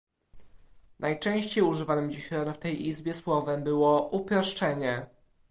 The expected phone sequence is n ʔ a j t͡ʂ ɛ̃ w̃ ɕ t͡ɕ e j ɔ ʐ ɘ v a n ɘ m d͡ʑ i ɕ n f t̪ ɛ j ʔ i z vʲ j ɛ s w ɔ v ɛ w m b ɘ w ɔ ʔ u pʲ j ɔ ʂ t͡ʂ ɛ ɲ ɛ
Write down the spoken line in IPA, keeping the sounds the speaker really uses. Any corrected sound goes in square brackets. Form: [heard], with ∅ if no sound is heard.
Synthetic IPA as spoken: n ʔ a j t͡ʂ ɛ̃ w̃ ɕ t͡ɕ e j [u] ʐ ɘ v a n ɘ m d͡ʑ i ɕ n f t̪ ɛ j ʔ i z [bʲ] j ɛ s w ɔ v ɛ [∅] m b ɘ w ɔ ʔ u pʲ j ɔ ʂ t͡ʂ ɛ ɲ ɛ

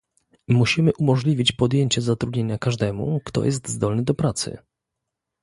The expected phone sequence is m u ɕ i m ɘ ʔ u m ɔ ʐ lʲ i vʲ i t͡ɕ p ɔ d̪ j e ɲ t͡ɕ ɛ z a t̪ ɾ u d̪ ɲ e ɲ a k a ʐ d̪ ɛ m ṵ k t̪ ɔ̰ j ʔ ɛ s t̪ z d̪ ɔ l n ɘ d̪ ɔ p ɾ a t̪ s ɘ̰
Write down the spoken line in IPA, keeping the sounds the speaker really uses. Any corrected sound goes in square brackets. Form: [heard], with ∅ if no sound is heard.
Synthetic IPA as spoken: m u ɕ i m ɘ ʔ u m ɔ ʐ lʲ i vʲ i t͡ɕ p ɔ d̪ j e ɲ t͡ɕ ɛ z a t̪ ɾ u d̪ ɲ e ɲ a k a ʐ d̪ ɛ m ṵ k t̪ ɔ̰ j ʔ ɛ s t̪ z d̪ ɔ l n ɘ d̪ ɔ p ɾ a t̪ s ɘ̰

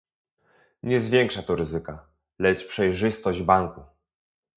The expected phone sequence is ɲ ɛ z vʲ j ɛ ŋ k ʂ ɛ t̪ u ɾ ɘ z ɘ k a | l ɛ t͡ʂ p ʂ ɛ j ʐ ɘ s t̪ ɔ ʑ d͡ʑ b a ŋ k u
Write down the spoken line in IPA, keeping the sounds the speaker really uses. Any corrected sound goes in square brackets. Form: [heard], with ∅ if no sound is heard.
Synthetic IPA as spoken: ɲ ɛ z vʲ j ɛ ŋ k ʂ [a] t̪ [ɔ] ɾ ɘ z ɘ k a | l ɛ t͡ʂ p ʂ ɛ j ʐ ɘ s t̪ ɔ ʑ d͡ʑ b a ŋ k u

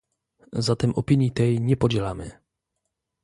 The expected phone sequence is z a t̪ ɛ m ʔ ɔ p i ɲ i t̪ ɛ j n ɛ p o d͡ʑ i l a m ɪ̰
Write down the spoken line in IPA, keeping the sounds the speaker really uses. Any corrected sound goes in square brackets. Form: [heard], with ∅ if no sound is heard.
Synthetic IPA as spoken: z a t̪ ɛ m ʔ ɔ p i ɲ i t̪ ɛ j [ɲ] ɛ p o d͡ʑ [ɛ] l a m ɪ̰

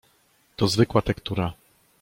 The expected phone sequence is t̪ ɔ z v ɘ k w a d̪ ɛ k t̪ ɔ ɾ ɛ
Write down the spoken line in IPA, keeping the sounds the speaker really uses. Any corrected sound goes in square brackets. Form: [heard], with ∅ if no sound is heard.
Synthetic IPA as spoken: t̪ ɔ z v ɘ k w a [t̪] ɛ k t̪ [u] ɾ [a]

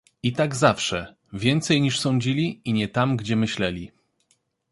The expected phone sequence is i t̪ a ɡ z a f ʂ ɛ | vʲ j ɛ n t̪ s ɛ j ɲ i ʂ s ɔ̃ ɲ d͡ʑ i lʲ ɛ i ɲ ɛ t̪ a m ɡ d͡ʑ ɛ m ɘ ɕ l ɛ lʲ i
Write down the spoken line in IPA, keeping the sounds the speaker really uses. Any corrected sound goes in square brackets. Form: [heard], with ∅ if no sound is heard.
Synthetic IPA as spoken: i t̪ a ɡ z a f ʂ ɛ | vʲ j ɛ n t̪ s ɛ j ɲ i ʂ s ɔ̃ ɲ d͡ʑ i lʲ [i] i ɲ ɛ t̪ a m ɡ d͡ʑ ɛ m ɘ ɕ l ɛ lʲ i

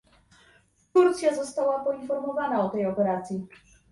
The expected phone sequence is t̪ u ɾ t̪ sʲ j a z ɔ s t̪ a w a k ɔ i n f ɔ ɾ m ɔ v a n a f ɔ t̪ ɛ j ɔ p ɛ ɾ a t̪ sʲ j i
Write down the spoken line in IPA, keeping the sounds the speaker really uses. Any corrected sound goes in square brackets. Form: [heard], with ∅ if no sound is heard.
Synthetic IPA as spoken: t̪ u ɾ t̪ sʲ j a z ɔ s t̪ a w a [p] ɔ i n f ɔ ɾ m ɔ v a n a [∅] ɔ t̪ ɛ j ɔ p ɛ ɾ a t̪ sʲ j i

